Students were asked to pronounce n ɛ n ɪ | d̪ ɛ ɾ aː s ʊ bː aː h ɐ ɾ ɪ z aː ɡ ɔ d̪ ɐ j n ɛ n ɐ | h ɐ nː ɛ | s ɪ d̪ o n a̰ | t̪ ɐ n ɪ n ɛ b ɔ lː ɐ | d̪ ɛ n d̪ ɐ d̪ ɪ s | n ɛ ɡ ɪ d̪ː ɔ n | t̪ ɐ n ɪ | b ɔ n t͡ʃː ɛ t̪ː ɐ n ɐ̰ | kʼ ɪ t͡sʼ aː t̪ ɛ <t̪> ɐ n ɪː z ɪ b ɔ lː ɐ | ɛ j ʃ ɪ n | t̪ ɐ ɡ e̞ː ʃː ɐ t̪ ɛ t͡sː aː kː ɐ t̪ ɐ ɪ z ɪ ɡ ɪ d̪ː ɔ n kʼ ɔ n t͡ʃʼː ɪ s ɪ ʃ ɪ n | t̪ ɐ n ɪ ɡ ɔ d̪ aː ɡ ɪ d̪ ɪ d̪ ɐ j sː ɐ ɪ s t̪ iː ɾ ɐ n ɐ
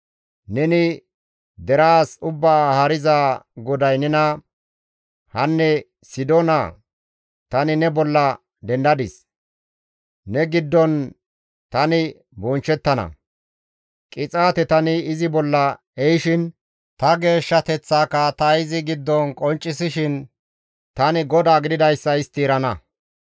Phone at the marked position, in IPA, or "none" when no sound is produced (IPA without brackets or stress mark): t̪